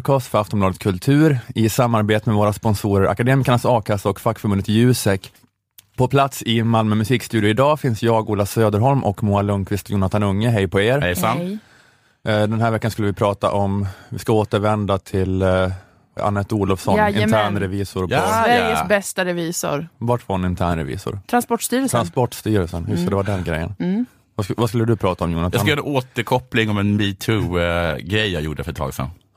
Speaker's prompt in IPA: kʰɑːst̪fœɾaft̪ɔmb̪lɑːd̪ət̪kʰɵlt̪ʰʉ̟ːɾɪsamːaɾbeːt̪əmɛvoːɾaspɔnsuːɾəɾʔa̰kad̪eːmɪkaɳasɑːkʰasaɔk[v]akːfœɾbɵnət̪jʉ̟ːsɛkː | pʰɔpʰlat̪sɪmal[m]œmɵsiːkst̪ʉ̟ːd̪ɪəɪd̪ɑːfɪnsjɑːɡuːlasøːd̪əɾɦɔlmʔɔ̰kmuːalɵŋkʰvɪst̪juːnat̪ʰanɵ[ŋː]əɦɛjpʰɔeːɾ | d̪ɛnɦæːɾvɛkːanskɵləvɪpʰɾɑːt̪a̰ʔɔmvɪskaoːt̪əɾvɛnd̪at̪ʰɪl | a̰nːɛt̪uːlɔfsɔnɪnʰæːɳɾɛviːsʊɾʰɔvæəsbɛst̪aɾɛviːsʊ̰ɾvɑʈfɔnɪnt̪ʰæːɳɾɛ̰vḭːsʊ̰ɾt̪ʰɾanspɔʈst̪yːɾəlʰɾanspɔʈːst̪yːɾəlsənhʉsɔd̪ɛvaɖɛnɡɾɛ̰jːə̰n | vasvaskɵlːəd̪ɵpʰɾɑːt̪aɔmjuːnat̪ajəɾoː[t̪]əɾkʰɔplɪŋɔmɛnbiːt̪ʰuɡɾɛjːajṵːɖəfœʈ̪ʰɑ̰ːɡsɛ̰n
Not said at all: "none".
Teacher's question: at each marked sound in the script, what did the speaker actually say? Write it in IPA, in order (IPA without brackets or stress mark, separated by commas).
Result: f, m, ŋː, t̪